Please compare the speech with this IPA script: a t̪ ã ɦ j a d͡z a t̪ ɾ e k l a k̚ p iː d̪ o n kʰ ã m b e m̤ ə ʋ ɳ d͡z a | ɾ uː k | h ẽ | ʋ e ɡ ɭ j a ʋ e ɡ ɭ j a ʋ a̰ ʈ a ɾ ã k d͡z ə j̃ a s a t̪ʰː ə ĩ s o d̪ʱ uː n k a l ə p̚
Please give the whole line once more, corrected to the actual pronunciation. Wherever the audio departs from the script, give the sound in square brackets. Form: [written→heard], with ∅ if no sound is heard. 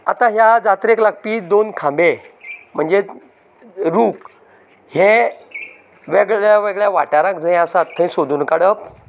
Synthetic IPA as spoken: a t̪ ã ɦ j a d͡z a t̪ ɾ e k l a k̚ p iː d̪ o n kʰ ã m b e m̤ ə [ʋ→∅] ɳ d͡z [a→e] | ɾ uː k | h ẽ | ʋ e ɡ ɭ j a ʋ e ɡ ɭ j a ʋ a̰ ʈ a ɾ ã k d͡z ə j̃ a s a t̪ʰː ə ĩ s o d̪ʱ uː n k a [l→ɽ] ə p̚